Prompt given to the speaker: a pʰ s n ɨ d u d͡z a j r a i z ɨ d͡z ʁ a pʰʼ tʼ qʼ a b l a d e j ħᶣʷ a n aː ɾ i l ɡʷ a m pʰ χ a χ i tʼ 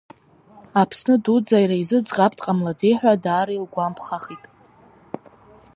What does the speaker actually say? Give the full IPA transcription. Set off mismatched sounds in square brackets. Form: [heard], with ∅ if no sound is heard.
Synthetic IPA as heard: a pʰ s n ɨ d u d͡z a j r a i z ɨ d͡z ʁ a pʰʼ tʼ qʼ a [m] l a [d͡z] e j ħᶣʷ a [d] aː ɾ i l ɡʷ a m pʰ χ a χ i tʼ